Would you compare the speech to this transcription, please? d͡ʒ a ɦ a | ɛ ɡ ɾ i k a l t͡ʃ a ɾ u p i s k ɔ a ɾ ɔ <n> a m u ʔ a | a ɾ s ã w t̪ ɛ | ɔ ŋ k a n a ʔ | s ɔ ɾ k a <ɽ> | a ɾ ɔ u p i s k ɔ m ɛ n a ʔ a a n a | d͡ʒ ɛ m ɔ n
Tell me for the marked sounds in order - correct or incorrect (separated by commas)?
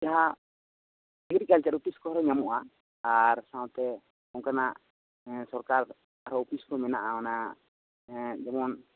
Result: incorrect, incorrect